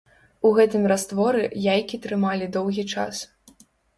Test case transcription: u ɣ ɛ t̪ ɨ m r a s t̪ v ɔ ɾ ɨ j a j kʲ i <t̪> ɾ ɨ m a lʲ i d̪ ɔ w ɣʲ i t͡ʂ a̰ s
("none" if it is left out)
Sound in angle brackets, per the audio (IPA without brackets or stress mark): t̪